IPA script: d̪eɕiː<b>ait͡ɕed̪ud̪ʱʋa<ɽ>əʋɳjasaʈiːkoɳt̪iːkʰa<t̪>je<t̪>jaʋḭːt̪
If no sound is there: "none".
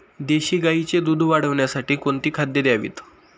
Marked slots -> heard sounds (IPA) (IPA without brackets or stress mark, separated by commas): ɡ, ɽ, d̪, d̪